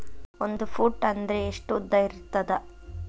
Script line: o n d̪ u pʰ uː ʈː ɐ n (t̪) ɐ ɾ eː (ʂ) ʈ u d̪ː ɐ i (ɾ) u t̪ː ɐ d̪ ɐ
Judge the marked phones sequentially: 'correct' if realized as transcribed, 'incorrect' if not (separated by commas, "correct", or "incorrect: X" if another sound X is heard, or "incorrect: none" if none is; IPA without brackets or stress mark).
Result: incorrect: d̪, correct, correct